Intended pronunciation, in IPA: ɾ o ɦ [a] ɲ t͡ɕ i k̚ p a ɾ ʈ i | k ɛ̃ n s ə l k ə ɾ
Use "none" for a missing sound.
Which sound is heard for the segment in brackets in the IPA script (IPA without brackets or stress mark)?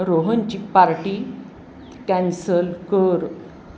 ə